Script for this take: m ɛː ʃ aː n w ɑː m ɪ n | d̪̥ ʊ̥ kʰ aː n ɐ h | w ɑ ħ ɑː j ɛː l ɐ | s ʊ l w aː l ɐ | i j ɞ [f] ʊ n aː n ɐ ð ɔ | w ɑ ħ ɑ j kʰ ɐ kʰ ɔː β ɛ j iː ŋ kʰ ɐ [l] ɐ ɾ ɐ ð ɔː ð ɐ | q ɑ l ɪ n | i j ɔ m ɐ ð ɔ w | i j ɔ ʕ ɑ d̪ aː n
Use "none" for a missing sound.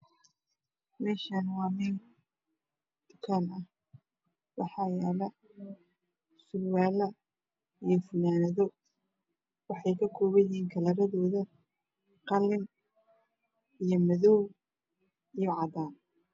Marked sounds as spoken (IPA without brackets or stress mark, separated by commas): f, l